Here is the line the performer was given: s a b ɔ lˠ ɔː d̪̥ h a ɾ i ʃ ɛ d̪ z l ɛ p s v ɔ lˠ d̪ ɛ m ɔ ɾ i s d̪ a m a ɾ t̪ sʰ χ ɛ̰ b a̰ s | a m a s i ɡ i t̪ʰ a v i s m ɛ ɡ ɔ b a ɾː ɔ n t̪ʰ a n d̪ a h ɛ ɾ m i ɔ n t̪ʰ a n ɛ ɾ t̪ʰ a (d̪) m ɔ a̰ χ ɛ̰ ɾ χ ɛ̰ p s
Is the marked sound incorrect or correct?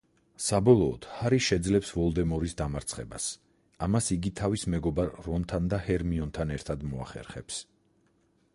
correct